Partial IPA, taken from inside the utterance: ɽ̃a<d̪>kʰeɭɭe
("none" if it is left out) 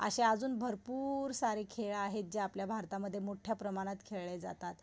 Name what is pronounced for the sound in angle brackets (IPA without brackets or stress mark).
t̪